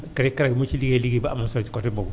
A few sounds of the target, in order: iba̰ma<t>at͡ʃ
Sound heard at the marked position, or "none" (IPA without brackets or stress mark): s